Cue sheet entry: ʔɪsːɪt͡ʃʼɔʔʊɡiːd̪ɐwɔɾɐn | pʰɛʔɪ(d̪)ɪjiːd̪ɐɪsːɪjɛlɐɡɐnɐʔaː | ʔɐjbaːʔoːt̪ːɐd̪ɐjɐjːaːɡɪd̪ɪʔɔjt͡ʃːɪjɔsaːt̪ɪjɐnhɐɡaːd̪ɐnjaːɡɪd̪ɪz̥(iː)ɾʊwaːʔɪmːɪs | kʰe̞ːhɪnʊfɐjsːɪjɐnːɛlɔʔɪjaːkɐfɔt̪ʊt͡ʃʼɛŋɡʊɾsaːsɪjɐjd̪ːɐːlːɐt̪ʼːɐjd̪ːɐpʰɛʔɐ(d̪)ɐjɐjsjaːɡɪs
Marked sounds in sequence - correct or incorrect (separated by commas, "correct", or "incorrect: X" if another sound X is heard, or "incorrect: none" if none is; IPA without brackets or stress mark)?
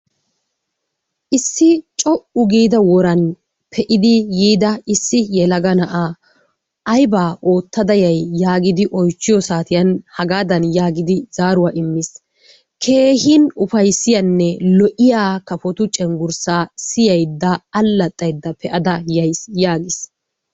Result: correct, incorrect: aː, correct